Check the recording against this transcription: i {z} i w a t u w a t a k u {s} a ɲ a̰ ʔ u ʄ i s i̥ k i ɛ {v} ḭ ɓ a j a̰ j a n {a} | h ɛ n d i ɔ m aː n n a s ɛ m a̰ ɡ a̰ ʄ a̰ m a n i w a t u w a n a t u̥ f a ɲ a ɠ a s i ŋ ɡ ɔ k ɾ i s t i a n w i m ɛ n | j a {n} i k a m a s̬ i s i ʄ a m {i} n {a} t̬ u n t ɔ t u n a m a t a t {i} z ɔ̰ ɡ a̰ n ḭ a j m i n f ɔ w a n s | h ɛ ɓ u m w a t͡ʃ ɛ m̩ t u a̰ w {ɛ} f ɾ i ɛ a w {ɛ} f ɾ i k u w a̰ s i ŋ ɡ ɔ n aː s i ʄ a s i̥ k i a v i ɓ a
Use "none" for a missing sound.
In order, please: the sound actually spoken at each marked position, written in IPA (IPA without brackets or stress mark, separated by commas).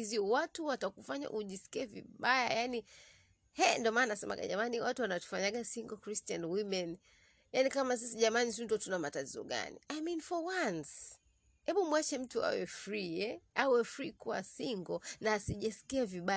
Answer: z, f, v, i, n, a, i, i, ɛ, ɛ